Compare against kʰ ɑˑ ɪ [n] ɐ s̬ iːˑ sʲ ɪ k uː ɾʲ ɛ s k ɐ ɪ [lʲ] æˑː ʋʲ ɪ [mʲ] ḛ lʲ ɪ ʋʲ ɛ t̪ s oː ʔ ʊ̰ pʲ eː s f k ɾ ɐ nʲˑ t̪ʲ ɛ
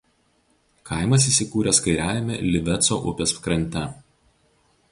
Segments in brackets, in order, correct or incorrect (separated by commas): incorrect, incorrect, correct